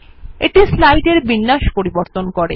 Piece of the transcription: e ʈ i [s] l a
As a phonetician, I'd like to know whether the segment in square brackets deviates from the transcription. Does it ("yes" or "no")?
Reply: no